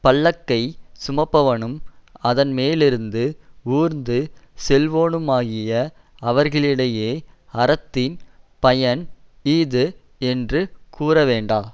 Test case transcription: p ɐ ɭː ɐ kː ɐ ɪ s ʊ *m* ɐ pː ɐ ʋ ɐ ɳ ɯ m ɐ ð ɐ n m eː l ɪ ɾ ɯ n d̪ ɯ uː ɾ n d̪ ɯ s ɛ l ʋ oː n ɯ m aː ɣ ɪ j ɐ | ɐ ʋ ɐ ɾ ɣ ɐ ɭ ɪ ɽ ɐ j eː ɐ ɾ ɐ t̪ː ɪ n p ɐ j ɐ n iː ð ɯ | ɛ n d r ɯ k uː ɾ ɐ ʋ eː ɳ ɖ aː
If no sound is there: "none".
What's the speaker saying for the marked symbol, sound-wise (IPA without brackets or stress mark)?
m